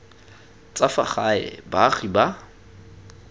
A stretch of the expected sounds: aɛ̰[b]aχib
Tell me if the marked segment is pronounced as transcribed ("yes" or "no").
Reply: yes